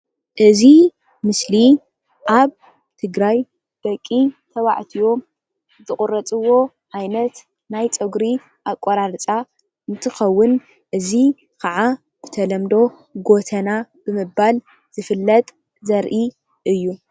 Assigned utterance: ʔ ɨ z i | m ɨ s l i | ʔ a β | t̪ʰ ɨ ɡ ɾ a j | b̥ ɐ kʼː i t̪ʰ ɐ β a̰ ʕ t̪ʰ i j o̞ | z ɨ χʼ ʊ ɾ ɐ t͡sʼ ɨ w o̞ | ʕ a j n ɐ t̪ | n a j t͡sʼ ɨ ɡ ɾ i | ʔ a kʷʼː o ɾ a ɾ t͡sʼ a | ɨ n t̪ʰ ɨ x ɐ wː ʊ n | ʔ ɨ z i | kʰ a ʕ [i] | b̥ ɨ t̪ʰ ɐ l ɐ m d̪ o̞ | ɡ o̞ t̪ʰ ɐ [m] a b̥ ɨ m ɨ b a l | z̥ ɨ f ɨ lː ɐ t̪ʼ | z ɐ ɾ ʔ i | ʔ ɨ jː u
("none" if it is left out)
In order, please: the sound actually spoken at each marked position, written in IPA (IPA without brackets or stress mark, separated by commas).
a, n